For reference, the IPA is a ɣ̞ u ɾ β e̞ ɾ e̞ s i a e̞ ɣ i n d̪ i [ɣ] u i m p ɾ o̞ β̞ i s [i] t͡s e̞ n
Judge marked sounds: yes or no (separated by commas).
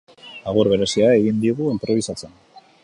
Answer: yes, no